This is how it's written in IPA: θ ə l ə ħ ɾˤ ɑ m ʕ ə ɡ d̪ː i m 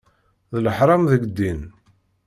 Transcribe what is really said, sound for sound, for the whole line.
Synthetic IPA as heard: ð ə l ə ħ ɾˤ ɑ m ð ə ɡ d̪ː i n